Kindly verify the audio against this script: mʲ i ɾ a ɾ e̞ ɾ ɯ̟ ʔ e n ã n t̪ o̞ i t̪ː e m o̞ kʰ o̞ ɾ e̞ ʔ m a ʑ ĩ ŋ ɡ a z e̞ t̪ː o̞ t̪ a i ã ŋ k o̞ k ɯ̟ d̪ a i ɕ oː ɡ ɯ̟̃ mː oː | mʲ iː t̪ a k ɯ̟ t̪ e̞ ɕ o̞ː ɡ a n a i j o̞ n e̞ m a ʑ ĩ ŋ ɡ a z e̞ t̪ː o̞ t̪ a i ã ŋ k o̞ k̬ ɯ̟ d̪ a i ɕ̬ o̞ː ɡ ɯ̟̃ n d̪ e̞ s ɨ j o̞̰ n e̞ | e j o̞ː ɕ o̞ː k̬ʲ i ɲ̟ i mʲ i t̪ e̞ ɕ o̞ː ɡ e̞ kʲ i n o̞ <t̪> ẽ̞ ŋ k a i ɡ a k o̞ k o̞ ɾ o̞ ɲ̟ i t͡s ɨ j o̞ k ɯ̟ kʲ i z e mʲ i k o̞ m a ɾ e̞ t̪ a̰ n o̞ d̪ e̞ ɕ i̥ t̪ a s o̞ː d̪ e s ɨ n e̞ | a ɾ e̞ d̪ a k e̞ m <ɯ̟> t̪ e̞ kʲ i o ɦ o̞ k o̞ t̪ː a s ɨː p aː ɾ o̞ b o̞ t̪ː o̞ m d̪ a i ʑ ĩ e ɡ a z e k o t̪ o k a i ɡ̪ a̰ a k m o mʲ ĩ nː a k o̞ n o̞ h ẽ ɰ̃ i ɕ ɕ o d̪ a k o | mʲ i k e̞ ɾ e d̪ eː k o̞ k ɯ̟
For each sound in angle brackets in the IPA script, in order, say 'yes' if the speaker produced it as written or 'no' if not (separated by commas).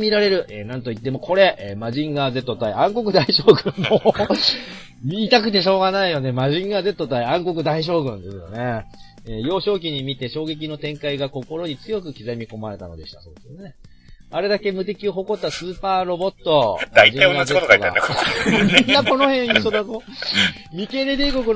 yes, yes